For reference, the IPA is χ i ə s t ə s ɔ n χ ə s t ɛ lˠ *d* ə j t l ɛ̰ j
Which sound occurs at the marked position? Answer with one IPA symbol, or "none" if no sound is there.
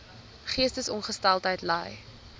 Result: t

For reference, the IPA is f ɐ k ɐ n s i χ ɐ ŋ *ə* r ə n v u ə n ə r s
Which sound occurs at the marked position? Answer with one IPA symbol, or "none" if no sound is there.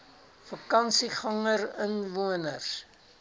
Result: ə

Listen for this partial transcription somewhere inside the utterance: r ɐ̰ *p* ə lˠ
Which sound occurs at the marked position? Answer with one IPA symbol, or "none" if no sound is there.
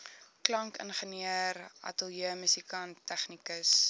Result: t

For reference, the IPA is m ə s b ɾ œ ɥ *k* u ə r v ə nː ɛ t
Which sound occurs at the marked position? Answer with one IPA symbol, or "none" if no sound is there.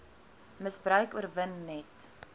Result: k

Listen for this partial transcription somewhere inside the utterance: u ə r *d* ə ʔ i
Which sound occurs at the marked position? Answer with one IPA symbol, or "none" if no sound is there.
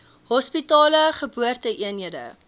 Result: t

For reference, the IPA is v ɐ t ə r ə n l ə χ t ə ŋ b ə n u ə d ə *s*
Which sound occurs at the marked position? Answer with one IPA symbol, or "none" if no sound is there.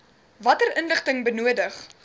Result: χ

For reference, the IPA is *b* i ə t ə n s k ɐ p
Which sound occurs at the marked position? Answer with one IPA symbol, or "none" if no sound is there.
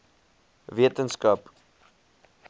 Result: v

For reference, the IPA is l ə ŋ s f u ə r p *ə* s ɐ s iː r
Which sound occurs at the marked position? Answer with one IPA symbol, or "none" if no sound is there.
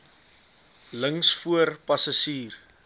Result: ɐ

